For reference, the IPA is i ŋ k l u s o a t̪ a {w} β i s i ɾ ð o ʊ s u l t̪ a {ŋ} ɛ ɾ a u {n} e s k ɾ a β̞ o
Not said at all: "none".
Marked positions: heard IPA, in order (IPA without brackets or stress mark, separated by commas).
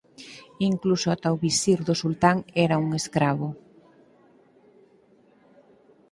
w, ŋ, ŋ